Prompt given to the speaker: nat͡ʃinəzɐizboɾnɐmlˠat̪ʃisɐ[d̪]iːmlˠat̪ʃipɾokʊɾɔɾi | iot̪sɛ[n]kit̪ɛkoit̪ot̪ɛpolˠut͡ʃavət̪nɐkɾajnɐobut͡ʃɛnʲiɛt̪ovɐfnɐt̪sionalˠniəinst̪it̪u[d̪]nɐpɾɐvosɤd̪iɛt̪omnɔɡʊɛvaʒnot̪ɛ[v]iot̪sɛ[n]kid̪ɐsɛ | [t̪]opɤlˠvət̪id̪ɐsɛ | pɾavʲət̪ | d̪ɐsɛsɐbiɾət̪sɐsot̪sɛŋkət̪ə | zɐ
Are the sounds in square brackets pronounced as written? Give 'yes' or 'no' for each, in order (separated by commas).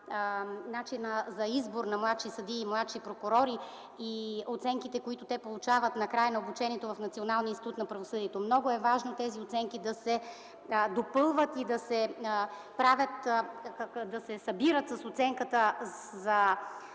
yes, no, no, no, no, no